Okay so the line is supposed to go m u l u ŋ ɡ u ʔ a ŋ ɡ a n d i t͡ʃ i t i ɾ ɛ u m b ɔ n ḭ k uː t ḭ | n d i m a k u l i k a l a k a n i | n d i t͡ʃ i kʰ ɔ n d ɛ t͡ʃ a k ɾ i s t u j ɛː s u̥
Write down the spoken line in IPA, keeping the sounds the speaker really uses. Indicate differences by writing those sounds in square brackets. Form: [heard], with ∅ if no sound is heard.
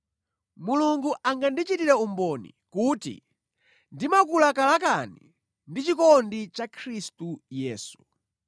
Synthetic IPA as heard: m u l u ŋ ɡ u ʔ a ŋ ɡ a n d i t͡ʃ i t i ɾ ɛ u m b ɔ n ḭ k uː t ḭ | n d i m a k u l [a] k a l a k a n i | n d i t͡ʃ i [k] ɔ n d [i] t͡ʃ a [kʰ] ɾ i s t u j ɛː s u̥